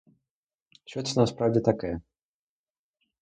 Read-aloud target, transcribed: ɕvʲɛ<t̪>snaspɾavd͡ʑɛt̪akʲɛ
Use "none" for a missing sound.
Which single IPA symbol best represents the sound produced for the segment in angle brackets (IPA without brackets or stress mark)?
t̪